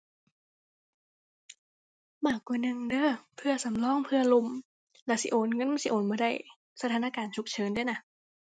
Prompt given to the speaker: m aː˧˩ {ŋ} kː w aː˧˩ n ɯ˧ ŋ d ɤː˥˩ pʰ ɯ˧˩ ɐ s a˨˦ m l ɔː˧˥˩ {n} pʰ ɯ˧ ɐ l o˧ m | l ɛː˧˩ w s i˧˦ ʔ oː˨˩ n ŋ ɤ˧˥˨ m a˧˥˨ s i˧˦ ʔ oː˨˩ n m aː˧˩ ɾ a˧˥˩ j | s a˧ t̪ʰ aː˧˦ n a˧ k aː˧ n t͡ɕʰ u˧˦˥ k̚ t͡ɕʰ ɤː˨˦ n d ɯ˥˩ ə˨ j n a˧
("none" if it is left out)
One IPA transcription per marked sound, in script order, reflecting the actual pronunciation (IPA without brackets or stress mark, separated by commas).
none, ŋ